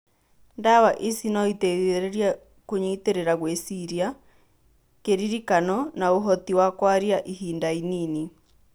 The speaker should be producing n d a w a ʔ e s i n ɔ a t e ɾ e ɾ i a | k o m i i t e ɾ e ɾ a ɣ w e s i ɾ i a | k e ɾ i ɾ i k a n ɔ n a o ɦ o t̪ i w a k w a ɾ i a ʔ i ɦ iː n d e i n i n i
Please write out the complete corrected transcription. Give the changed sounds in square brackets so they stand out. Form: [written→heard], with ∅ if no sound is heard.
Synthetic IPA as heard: n d a w a ʔ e s i n ɔ [a→i] t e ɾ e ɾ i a | k o [m→ɲ] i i t e ɾ e ɾ a ɣ w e s i ɾ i a | k e ɾ i ɾ i k a n ɔ n a o ɦ [o→ɔ] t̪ i w a k w a ɾ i a ʔ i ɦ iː n d [e→a] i n i n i